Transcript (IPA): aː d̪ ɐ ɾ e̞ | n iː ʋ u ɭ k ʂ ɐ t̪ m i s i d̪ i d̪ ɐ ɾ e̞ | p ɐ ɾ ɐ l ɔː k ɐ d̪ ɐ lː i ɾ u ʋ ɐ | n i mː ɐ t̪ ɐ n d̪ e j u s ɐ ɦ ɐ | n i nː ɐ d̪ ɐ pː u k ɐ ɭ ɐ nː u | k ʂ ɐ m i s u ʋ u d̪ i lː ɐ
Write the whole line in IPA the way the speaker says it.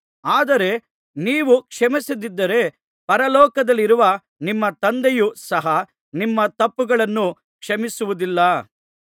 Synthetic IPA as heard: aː d̪ ɐ ɾ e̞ | n iː ʋ u k ʂ ɐ m i s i d̪ i d̪ː ɐ ɾ e̞ | p ɐ ɾ ɐ l ɔː k ɐ d̪ ɐ lː i ɾ u ʋ ɐ | n i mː ɐ t̪ ɐ n d̪ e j u s ɐ ɦ ɐ | n i mː ɐ t̪ ɐ pː u ɡ ɐ ɭ ɐ nː u | k ʂ ɐ m i s u ʋ u d̪ i lː ɐ

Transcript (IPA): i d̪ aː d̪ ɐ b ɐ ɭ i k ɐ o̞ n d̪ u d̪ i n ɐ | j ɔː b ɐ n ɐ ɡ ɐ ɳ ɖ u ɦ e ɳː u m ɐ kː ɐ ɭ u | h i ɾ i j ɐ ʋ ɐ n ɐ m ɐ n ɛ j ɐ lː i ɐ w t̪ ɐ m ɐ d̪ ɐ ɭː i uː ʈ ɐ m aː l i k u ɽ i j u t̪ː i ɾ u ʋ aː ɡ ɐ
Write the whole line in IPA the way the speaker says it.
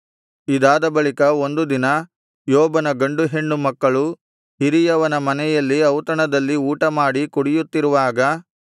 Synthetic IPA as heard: i d̪ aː d̪ ɐ b ɐ ɭ i k ɐ o̞ n d̪ u d̪ i n ɐ | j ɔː b ɐ n ɐ ɡ ɐ ɳ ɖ u ɦ e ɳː u m ɐ kː ɐ ɭ u | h i ɾ i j ɐ ʋ ɐ n ɐ m ɐ n ɛ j ɐ lː i ɐ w t̪ ɐ ɳ ɐ d̪ ɐ lː i uː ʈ ɐ m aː ɽ i k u ɽ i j u t̪ː i ɾ u ʋ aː ɡ ɐ

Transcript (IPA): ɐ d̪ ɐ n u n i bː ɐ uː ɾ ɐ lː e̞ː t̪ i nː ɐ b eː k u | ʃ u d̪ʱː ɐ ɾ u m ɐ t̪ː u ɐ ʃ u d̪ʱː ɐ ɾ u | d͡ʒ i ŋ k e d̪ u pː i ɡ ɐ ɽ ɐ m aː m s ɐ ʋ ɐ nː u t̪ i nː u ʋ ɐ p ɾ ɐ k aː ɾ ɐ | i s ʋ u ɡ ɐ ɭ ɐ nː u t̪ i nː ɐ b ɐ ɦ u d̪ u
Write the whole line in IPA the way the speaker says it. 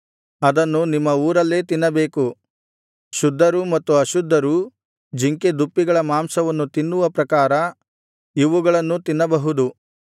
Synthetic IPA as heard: ɐ d̪ ɐ nː u n i mː ɐ uː ɾ ɐ lː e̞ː t̪ i nː ɐ b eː k u | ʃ u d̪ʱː ɐ ɾ u m ɐ t̪ː u ɐ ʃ u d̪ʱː ɐ ɾ u | d͡ʒ i ŋ k e d̪ u pː i ɡ ɐ ɭ ɐ m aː m s ɐ ʋ ɐ nː u t̪ i nː u ʋ ɐ p ɾ ɐ k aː ɾ ɐ | i ʋ u ɡ ɐ ɭ ɐ nː u t̪ i nː ɐ b ɐ ɦ u d̪ u

